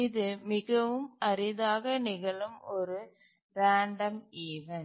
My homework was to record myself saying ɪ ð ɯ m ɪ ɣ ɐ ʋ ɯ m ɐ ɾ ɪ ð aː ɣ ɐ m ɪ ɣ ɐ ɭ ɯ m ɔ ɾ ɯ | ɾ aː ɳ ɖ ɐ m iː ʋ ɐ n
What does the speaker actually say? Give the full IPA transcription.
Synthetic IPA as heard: ɪ ð ɯ m ɪ ɣ ɐ ʋ ɯ m ɐ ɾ ɪ ð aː ɣ ɐ n ɪ ɣ ɐ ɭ ɯ m ɔ ɾ ɯ | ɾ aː ɳ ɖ ɐ m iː ʋ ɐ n